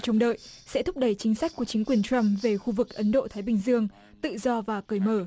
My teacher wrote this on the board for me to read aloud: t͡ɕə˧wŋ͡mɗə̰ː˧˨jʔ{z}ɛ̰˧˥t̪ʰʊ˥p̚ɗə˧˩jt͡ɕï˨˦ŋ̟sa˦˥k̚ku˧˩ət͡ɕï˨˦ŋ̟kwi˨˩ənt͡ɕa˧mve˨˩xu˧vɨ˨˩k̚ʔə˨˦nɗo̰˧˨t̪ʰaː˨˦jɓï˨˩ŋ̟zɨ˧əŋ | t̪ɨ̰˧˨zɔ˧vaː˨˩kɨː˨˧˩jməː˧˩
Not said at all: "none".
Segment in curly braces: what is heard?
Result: s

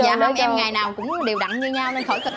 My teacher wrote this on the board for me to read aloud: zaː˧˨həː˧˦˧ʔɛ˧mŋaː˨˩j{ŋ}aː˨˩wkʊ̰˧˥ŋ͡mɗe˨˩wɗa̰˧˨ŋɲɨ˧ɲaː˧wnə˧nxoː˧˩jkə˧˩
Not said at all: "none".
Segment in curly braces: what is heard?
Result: n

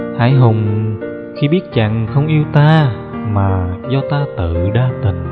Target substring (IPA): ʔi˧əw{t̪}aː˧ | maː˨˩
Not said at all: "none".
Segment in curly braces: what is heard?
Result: t̪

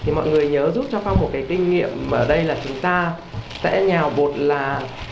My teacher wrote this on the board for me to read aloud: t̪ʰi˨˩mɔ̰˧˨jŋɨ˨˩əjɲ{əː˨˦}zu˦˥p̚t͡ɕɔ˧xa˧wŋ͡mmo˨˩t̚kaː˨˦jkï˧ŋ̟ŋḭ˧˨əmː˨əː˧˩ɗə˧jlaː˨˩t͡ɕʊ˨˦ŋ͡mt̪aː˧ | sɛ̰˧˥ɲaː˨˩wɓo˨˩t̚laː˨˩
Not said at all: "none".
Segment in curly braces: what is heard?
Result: əː˨˦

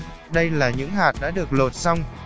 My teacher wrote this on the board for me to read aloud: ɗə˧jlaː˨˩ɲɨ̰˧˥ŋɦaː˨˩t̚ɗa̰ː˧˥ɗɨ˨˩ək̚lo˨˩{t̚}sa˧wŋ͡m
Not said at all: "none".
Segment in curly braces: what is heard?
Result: t̚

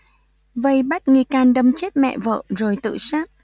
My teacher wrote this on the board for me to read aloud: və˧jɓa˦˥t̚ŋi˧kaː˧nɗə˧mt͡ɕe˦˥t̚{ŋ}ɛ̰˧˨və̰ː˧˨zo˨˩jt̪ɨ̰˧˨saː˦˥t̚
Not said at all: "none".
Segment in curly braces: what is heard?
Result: m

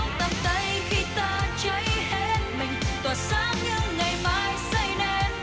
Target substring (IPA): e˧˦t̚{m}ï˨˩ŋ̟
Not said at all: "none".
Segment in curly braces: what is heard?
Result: m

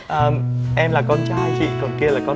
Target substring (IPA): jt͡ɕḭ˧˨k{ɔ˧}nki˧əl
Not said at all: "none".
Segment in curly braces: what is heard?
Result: ɔ˨˩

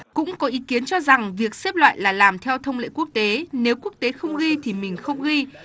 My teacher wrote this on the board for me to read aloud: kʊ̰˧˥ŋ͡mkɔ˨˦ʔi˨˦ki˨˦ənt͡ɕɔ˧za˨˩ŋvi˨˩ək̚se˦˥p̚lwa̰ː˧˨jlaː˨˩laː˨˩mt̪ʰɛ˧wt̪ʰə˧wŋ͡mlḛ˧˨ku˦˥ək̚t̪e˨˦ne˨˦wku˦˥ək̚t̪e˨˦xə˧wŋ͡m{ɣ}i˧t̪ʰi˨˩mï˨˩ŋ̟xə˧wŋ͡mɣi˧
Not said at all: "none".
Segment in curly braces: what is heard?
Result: ɣ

